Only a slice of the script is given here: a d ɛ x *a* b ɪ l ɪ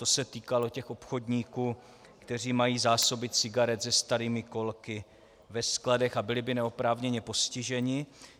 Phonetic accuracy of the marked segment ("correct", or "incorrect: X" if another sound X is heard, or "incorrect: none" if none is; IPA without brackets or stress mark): correct